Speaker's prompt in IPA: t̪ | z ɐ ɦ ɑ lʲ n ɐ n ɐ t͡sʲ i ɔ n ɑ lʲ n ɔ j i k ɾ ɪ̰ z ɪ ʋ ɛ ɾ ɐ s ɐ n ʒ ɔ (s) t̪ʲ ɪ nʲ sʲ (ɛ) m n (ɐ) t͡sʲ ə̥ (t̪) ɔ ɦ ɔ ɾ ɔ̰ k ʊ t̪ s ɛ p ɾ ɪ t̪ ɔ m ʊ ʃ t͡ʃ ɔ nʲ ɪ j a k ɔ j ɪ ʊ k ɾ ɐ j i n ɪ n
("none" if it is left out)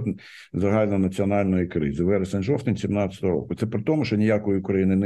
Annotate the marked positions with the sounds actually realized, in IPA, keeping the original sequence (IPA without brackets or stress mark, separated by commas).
f, i, ɑ, t̪